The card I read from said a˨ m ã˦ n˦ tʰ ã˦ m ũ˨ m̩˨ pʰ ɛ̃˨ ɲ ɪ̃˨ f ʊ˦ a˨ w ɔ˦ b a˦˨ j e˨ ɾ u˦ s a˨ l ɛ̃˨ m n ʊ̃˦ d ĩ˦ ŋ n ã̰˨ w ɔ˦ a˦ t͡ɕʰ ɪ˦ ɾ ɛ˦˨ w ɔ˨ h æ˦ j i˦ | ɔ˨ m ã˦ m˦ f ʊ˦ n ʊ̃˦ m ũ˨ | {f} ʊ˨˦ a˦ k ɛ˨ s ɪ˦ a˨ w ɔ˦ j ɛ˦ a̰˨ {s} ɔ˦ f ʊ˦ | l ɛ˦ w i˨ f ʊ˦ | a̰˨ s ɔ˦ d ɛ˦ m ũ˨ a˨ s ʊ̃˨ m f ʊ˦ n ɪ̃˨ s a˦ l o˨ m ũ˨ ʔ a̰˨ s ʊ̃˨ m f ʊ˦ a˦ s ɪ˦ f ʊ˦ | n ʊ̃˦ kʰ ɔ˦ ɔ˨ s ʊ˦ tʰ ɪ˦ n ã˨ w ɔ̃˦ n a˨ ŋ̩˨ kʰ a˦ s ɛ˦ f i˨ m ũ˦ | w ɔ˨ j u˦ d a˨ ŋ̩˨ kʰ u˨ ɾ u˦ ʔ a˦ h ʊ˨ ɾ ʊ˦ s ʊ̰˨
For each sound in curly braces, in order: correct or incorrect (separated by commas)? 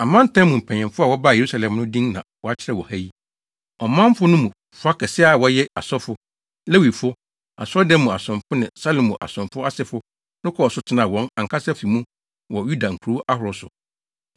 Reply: correct, correct